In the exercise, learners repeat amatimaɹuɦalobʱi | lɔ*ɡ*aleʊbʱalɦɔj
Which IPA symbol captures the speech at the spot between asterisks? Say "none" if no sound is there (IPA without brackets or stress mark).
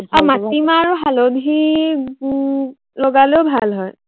ɡ